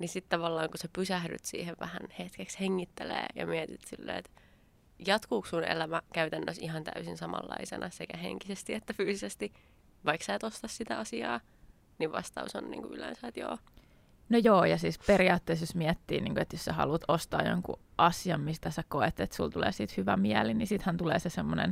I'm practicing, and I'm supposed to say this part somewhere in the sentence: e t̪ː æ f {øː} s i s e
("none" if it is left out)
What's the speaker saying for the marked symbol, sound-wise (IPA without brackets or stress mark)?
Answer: yː